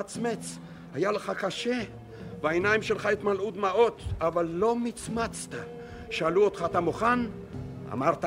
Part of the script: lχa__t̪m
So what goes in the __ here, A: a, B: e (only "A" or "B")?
B